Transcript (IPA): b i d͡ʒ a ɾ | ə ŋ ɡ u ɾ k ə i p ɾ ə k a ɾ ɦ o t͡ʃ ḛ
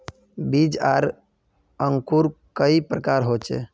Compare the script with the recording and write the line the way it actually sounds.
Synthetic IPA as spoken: b i d͡ʒ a ɾ | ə ŋ k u ɾ k ə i p ɾ ə k a ɾ ɦ o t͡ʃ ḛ

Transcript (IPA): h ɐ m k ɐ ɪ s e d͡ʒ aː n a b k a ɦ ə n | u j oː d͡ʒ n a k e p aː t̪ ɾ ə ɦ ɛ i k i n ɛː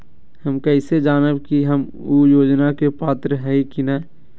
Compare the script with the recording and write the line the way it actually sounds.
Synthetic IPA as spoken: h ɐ m k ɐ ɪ s e d͡ʒ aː n ə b k i ɦ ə m | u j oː d͡ʒ n a k e p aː t̪ ɾ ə ɦ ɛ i k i n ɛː

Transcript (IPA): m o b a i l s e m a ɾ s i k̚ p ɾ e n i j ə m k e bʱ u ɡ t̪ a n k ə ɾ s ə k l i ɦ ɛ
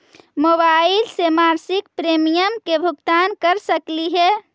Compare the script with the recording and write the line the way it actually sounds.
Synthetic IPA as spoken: m o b a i l s e m a ɾ s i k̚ p ɾ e m i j ə m k e bʱ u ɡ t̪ a n k ə ɾ s ə k l i ɦ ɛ

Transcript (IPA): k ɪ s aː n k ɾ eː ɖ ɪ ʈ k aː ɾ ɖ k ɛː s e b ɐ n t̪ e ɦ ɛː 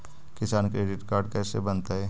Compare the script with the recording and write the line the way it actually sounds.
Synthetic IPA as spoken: k ɪ s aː n k ɾ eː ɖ ɪ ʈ k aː ɾ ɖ k ɛː s e b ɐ n t̪ a ɦ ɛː

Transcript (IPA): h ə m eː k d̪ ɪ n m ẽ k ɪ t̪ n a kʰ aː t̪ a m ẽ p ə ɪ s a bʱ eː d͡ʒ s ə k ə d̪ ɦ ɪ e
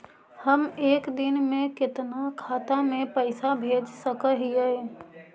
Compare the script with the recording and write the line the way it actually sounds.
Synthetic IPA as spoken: h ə m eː k d̪ ɪ n m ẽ k ɪ t̪ n a kʰ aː t̪ a m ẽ p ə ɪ s a bʱ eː d͡ʒ s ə k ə ɦ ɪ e

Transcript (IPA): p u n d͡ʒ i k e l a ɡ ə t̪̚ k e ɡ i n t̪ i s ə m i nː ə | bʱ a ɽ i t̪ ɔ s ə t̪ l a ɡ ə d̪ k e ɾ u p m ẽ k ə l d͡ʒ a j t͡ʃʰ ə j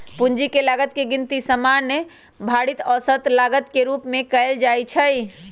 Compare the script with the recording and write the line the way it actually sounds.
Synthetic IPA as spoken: p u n d͡ʒ i k e l a ɡ ə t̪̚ k e ɡ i n t̪ i s ə m a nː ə | bʱ a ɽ i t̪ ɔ s ə t̪ l a ɡ ə t̪ k e ɾ u p m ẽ k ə l d͡ʒ a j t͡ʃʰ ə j

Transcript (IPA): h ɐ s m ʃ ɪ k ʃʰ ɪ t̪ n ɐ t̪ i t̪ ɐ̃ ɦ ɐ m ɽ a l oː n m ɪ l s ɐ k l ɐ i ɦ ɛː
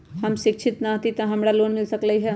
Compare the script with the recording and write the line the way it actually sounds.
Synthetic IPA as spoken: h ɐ m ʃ ɪ k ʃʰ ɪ t̪ n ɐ t̪ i t̪ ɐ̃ ɦ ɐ m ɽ a l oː n m ɪ l s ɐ k l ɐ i ɦ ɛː

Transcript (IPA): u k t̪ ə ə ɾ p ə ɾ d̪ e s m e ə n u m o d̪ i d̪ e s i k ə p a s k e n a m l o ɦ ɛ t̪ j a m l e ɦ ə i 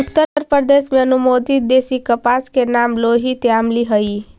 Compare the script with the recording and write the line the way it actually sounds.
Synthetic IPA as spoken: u k t̪ ə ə ɾ p ə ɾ d̪ e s m e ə n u m o d̪ i d̪ e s i k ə p a s k e n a m l o ɦ i t̪ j a m l i ɦ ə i

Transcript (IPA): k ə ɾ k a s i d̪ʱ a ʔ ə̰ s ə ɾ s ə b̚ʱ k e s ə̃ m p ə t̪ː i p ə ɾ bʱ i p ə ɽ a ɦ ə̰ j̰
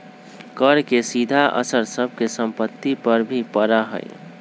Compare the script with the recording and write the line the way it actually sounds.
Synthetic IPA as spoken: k ə ɾ k e s i d̪ʱ a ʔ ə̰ s ə ɾ s ə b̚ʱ k e s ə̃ m p ə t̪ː i p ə ɾ bʱ i p ə ɾ a ɦ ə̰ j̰

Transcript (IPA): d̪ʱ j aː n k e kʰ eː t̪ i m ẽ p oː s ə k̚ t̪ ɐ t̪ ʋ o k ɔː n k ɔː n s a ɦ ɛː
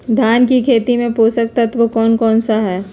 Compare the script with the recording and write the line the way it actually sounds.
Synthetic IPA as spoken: d̪ʱ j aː n k i kʰ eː t̪ i m ẽ p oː s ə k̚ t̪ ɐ t̪ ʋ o k ɔː n k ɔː n s a ɦ ɛː

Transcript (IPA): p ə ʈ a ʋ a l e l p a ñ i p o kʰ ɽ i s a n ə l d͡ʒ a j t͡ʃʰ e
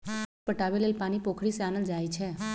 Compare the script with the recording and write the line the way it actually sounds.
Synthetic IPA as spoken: p ə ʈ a ʋ e l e l p a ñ i p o kʰ ɽ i s a n ə l d͡ʒ a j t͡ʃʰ e

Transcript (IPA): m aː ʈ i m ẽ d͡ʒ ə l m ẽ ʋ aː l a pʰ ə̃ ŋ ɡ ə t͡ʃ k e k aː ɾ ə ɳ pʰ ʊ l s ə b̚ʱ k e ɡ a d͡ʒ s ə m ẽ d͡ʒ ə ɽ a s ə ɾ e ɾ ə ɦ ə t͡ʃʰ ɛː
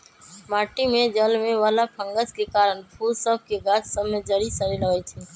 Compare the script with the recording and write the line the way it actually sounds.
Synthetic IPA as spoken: m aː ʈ i m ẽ d͡ʒ ə l m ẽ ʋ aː l a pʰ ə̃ ŋ ɡ ə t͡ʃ k e k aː ɾ ə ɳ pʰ u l s ə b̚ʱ k e ɡ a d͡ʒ s ə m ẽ d͡ʒ ə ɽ i s ə ɾ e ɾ ə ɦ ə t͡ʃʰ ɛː

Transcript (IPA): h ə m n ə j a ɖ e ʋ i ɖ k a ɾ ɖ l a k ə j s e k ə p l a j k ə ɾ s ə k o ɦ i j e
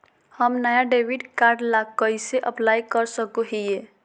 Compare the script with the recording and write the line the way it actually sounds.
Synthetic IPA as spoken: h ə m n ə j a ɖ e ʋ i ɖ k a ɾ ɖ l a k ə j s e ʔ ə p l a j k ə ɾ s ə k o ɦ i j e

